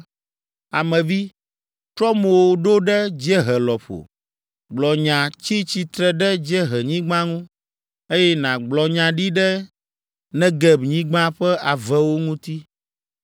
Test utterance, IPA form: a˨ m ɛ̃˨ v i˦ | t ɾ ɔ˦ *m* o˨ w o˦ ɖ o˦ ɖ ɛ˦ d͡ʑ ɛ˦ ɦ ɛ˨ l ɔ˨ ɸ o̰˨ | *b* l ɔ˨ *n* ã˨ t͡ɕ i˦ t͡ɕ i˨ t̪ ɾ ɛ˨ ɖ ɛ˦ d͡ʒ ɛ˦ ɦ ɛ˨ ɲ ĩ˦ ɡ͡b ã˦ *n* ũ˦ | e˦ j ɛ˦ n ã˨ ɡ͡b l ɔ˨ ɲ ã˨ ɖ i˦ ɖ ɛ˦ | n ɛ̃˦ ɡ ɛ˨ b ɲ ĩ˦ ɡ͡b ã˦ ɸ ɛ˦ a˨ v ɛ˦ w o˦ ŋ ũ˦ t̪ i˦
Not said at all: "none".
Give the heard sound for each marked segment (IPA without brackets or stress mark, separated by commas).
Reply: m, ɡ͡b, ɲ, ŋ